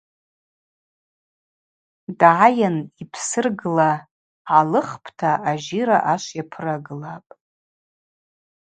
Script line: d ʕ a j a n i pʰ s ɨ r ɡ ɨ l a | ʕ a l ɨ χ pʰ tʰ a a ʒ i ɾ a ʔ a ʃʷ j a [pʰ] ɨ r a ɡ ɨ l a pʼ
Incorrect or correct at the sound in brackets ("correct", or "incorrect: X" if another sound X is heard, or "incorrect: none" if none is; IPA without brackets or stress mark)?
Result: correct